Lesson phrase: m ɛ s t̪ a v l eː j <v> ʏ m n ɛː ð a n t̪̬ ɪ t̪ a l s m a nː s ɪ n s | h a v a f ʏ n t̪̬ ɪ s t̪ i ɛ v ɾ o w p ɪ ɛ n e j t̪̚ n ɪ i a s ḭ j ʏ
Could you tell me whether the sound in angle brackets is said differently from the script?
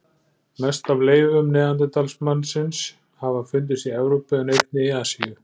no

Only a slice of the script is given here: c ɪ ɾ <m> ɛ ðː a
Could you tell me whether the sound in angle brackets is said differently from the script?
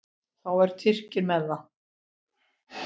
no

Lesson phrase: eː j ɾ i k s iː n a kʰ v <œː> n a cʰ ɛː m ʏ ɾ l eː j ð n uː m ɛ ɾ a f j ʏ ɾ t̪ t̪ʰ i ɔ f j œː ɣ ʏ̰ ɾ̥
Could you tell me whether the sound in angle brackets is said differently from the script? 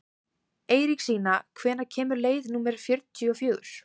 yes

